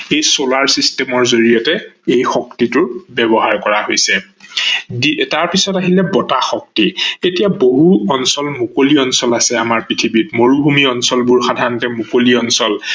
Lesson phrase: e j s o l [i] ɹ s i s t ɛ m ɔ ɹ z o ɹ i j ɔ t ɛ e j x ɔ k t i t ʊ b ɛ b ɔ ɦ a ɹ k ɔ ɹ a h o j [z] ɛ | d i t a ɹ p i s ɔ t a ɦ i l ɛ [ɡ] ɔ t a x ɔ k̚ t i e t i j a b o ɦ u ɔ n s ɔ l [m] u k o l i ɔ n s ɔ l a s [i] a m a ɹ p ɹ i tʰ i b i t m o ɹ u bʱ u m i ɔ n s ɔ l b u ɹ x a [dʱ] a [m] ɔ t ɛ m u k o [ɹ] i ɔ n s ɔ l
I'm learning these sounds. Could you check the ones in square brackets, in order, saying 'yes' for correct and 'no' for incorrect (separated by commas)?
no, no, no, yes, no, yes, no, no